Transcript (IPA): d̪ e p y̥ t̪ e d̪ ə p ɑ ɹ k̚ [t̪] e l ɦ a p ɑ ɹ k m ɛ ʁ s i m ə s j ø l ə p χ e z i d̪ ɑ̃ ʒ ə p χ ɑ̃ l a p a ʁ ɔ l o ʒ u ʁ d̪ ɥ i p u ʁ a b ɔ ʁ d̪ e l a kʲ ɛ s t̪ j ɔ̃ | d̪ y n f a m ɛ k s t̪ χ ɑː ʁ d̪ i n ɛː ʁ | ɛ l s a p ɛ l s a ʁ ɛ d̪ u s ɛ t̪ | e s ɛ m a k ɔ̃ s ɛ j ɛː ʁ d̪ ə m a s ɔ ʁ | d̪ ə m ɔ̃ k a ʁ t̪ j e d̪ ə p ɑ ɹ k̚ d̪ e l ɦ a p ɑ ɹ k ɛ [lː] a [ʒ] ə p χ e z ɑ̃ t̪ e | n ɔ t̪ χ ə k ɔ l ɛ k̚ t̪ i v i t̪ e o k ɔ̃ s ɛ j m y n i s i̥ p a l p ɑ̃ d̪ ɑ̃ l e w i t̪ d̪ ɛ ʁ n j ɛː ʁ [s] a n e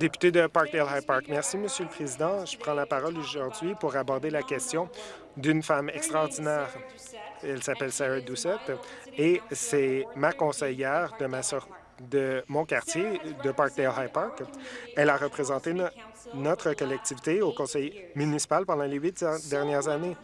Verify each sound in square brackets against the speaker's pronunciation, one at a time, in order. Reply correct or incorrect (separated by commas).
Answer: incorrect, incorrect, incorrect, incorrect